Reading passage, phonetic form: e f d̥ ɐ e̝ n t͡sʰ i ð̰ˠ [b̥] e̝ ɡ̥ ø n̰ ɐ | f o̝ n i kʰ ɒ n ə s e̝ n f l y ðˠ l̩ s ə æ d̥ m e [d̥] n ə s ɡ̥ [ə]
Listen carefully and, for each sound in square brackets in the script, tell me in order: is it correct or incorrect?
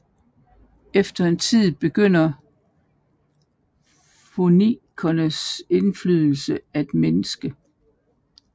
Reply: correct, incorrect: none, correct

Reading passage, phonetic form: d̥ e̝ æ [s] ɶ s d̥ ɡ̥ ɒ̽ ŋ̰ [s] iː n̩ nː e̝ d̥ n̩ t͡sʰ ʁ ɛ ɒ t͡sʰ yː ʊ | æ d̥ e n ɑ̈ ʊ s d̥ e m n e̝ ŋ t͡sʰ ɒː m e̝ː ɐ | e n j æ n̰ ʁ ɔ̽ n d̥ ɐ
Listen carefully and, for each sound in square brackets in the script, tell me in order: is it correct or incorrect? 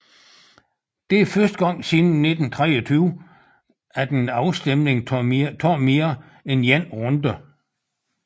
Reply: incorrect: f, correct

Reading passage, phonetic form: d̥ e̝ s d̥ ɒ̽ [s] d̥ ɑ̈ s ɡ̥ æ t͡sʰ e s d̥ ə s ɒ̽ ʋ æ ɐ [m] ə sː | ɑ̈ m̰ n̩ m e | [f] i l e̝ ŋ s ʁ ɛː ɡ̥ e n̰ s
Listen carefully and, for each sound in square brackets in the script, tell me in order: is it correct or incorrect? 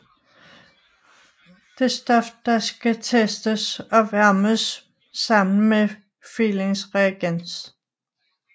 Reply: incorrect: f, correct, correct

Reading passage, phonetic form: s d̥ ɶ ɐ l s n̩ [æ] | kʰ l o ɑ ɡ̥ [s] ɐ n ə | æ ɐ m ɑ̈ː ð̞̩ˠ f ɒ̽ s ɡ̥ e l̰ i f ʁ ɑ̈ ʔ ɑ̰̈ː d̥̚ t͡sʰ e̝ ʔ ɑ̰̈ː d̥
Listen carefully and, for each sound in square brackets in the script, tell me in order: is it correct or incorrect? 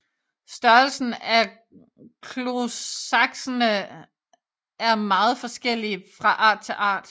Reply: correct, correct

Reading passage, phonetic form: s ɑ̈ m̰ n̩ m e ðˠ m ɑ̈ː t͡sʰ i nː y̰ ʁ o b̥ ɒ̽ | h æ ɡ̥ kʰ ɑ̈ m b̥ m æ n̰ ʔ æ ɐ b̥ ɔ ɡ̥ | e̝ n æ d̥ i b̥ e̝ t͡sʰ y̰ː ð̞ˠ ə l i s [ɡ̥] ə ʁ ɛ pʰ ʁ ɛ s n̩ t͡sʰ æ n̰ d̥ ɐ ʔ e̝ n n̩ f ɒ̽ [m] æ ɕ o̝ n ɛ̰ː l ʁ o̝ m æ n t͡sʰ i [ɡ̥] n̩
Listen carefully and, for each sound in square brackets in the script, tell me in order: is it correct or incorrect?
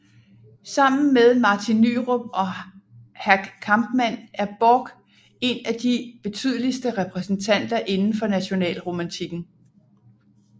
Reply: incorrect: d̥, incorrect: n, correct

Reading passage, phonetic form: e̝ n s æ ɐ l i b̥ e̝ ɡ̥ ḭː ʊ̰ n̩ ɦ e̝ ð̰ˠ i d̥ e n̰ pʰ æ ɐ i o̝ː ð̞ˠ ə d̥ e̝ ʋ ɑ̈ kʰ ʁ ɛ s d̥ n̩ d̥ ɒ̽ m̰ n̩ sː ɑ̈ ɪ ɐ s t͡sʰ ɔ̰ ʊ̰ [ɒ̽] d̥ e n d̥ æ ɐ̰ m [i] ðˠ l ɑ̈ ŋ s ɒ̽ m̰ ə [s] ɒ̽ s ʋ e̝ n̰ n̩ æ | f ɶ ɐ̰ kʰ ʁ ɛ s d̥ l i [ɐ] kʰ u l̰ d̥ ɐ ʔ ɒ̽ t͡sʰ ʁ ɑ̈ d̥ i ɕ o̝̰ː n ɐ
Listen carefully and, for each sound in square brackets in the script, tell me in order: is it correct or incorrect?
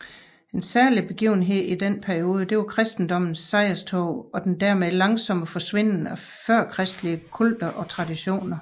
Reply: correct, incorrect: e, incorrect: f, incorrect: ə

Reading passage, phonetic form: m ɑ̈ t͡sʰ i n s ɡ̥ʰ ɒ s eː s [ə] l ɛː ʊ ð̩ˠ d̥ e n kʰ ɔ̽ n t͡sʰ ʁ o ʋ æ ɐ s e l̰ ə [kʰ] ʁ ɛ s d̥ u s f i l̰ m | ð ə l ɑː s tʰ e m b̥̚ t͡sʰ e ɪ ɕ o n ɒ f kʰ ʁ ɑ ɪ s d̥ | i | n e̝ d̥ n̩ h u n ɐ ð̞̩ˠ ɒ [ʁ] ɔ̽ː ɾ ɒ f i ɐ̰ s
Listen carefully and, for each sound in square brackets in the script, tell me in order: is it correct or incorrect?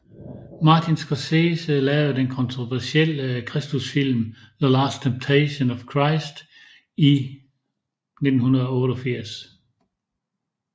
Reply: correct, correct, incorrect: none

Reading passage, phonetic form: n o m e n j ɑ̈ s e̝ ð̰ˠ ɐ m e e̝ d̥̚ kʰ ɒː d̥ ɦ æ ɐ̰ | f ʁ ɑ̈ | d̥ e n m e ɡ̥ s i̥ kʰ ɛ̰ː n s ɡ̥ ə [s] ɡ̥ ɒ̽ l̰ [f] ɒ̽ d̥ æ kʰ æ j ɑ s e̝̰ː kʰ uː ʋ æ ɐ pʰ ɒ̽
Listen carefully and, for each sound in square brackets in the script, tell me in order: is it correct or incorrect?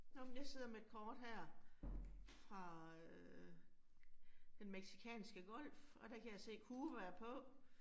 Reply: incorrect: none, correct

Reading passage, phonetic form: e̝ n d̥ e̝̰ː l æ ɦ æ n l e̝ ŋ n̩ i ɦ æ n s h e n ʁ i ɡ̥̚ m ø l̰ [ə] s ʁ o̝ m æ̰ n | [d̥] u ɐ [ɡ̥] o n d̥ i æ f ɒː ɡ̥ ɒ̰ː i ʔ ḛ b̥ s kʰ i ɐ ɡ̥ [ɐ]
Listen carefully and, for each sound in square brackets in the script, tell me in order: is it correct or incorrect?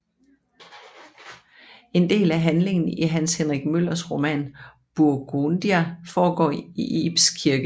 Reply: incorrect: ɐ, incorrect: b̥, correct, incorrect: ə

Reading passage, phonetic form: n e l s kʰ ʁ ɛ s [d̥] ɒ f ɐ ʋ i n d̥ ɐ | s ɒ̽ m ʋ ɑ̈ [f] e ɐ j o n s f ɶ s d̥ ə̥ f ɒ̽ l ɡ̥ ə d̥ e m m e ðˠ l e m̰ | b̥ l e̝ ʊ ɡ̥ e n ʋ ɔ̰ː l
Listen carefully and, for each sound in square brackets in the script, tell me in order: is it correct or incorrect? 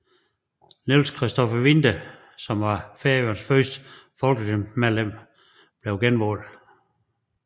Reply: correct, correct

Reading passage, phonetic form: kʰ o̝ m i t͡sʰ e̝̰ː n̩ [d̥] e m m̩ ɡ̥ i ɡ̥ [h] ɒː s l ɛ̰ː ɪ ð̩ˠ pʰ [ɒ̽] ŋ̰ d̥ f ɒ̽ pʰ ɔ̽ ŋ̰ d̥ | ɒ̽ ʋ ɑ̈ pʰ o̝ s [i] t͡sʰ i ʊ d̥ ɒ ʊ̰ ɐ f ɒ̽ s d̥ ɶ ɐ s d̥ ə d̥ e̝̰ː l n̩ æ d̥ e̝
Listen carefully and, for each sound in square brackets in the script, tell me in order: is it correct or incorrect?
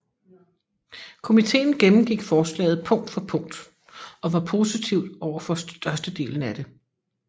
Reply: incorrect: ɡ̥, incorrect: f, incorrect: ɔ̽, correct

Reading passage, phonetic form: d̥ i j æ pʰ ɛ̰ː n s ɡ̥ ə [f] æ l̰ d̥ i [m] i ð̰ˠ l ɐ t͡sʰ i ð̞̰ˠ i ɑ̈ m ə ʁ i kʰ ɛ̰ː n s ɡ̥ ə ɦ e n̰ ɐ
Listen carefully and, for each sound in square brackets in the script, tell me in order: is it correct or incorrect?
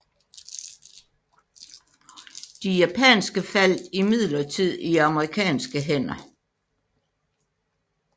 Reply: correct, correct

